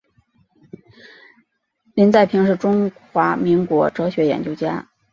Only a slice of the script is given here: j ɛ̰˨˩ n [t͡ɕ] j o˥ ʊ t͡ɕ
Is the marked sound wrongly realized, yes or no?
no